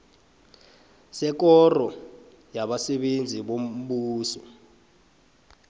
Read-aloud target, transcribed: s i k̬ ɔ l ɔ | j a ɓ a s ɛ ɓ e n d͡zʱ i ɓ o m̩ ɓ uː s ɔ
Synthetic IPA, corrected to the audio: s ɛ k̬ ɔ r ɔ | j a ɓ a s ɛ ɓ e n d͡zʱ i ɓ o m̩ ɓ uː s ɔ